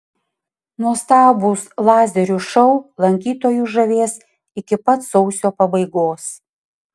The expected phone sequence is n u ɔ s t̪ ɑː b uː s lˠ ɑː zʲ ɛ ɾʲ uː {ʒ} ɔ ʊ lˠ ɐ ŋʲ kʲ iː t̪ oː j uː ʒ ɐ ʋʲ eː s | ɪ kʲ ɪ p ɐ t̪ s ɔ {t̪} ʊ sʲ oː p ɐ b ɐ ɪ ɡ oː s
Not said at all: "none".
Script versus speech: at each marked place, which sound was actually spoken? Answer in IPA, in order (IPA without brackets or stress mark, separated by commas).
ʃ, none